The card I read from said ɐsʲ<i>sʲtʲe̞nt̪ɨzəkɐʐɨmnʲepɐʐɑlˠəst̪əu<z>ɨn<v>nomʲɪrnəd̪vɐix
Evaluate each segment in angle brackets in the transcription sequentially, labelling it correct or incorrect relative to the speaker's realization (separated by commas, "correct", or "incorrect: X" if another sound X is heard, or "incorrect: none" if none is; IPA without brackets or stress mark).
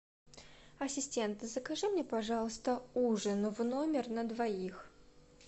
incorrect: ɪ, incorrect: ʐ, correct